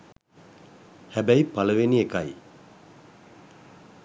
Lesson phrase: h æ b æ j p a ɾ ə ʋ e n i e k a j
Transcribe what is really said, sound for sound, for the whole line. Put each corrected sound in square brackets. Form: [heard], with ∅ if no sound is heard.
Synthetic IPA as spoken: h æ b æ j p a [l] ə ʋ e n i e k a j

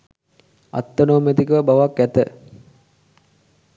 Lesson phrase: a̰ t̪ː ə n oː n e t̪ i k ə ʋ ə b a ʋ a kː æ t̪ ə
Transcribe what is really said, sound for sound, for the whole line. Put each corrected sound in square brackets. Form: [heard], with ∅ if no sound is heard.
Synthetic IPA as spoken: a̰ t̪ː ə n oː [m] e t̪ i k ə ʋ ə b a ʋ a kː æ t̪ ə

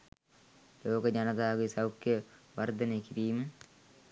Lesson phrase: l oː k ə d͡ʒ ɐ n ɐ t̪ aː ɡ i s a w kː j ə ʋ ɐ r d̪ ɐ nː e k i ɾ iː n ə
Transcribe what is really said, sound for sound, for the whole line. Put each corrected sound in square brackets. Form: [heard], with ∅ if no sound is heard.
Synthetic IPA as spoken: l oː k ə d͡ʒ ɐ n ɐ t̪ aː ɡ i s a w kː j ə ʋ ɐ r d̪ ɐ [n] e k i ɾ iː [m] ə

